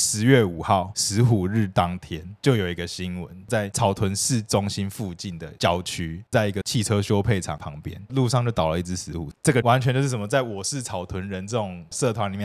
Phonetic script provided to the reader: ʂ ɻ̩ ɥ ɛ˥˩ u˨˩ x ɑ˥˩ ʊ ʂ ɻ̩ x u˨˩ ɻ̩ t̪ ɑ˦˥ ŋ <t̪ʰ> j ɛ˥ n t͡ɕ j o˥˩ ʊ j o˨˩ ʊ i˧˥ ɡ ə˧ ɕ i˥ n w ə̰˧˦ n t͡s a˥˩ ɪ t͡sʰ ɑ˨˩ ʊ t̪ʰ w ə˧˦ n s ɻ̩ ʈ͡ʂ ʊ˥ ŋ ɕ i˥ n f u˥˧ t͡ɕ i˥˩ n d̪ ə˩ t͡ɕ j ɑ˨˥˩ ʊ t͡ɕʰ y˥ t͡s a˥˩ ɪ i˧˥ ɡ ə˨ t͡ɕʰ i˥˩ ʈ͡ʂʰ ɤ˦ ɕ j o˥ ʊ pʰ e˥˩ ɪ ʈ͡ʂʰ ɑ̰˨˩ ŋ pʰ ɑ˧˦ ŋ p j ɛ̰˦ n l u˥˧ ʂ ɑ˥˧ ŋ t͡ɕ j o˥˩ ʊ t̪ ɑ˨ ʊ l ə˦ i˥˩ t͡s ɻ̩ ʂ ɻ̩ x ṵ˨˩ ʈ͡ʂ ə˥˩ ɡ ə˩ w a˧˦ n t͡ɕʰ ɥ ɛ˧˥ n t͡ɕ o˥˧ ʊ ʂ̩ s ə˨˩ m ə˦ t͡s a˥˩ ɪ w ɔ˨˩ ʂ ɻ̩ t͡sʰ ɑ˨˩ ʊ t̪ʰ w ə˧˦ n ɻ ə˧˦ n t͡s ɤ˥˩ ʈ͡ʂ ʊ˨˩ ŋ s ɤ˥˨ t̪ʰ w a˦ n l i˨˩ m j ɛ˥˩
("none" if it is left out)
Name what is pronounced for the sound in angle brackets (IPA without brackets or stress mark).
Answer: t̪ʰ